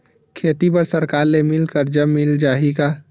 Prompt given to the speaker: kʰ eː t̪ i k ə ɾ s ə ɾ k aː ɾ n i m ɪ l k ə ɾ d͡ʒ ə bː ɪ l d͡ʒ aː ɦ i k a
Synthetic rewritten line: kʰ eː t̪ i p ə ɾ s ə ɾ k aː ɾ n e m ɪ l k ə ɾ d͡ʒ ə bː ɪ l d͡ʒ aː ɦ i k a